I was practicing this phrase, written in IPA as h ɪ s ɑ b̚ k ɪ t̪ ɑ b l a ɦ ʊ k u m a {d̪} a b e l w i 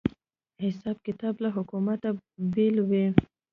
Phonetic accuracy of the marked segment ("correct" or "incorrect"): incorrect